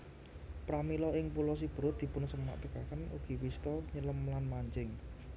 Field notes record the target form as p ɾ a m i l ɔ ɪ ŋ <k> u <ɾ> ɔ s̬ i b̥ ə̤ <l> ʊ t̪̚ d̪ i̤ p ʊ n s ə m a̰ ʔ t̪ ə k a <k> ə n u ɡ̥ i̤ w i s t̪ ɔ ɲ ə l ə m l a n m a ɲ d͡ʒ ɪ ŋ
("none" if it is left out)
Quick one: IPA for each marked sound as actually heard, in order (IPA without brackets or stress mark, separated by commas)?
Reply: p, l, ɾ, k